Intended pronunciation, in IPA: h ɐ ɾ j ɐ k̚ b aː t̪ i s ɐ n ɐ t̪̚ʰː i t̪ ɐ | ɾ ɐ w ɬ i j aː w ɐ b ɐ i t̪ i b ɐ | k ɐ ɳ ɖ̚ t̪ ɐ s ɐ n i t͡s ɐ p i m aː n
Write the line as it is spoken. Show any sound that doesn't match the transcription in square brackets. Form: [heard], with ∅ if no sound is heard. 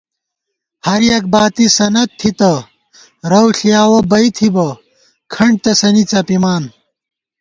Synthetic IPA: h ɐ ɾ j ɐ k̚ b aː t̪ i s ɐ n ɐ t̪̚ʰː i t̪ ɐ | ɾ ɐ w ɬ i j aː w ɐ b ɐ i [t̪ʰ] i b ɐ | [kʰ] ɐ ɳ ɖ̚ t̪ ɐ s ɐ n i t͡s ɐ p i m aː n